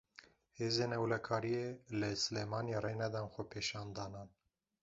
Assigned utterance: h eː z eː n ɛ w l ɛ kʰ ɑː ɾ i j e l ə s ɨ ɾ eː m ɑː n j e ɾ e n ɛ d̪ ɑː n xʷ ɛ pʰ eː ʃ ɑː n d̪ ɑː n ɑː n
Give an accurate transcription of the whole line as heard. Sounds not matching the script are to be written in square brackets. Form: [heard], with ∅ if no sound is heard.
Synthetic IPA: h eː z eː n ɛ w l ɛ kʰ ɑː ɾ i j e l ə s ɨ [l] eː m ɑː n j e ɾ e n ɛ d̪ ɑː n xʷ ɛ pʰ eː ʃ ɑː n d̪ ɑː n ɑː n